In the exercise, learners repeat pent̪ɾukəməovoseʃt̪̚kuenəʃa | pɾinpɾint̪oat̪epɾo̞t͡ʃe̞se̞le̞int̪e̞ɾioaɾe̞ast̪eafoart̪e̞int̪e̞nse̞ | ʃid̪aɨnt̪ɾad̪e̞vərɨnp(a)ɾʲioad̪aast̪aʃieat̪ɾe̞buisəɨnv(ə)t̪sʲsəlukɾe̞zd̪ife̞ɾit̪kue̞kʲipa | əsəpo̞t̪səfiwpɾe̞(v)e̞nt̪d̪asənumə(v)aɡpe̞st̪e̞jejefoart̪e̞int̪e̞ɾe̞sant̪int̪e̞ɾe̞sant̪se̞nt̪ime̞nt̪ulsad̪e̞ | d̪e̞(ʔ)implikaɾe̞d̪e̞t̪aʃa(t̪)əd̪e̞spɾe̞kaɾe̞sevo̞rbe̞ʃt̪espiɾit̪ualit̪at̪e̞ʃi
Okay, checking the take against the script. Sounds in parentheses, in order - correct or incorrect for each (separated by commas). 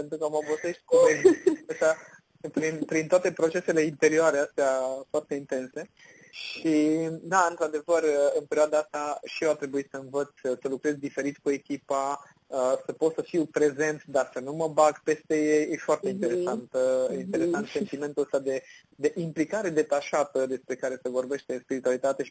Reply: incorrect, correct, incorrect, incorrect, correct, correct